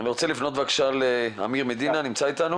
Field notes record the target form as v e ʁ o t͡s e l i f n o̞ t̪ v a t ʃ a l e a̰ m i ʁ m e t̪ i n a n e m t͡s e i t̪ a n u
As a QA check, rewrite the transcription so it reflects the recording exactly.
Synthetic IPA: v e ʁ o t͡s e l i f n o̞ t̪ v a k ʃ a l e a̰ m i ʁ m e d̪ i n a n i m t͡s a i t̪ a n u